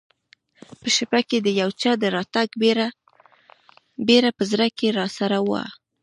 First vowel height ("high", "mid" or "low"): mid